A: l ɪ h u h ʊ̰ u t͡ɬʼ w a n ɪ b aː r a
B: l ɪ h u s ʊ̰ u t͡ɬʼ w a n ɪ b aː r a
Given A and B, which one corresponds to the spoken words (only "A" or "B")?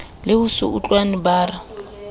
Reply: B